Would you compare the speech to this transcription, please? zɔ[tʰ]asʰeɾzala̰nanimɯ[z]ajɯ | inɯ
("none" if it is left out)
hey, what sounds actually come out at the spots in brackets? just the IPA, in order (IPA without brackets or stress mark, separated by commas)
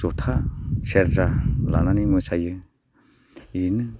tʰ, s